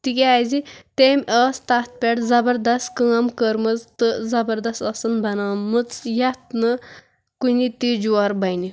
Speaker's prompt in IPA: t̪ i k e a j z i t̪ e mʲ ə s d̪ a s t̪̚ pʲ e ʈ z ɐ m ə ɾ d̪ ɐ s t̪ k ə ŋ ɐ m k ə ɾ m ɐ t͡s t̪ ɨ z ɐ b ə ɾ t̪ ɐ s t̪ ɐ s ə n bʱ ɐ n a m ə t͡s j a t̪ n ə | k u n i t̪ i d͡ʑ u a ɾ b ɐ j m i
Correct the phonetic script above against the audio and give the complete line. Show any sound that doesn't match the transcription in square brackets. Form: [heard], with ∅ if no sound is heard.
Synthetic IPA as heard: t̪ i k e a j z i t̪ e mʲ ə s [t̪] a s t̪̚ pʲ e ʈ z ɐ [b] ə ɾ d̪ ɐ s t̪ k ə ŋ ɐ m k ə ɾ m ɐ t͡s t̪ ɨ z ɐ b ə ɾ [d̪] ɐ s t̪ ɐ s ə n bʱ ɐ n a m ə t͡s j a t̪ n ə | k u n i t̪ i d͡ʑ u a ɾ b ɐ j [n] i